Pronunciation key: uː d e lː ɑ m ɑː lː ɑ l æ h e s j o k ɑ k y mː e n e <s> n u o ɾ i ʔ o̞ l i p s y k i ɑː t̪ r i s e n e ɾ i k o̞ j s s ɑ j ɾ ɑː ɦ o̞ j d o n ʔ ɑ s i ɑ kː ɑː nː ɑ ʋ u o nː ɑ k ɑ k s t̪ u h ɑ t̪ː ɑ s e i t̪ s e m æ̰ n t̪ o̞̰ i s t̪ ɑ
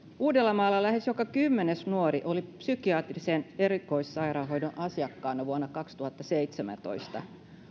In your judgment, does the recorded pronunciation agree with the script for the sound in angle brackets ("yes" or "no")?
yes